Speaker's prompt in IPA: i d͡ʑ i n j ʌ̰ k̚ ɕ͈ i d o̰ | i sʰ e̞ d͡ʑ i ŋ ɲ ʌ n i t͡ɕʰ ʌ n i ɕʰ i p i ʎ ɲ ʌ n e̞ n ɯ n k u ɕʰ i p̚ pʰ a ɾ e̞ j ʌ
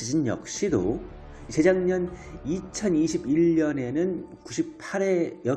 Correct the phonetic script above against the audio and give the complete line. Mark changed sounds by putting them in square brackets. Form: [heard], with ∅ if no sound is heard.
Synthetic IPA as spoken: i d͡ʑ i n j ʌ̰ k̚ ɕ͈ i d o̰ | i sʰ e̞ d͡ʑ [a] ŋ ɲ ʌ n i t͡ɕʰ ʌ n i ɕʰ i [b] i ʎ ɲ ʌ n e̞ n ɯ n k u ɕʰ i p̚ pʰ a ɾ e̞ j ʌ